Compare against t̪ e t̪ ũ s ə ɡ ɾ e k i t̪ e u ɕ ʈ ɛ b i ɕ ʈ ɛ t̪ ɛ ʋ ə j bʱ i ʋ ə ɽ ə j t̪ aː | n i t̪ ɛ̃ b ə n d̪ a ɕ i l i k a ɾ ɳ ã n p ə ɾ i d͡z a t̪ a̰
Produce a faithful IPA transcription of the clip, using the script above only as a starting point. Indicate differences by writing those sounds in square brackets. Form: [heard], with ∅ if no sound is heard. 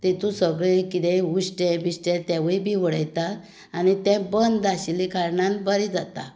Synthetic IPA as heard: t̪ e t̪ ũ s ə ɡ [ɭ] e k i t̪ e u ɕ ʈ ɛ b i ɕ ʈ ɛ t̪ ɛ ʋ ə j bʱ i ʋ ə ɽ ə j t̪ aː | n i t̪ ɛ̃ b ə n d̪ a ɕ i l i k a ɾ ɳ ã n [b] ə ɾ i d͡z a t̪ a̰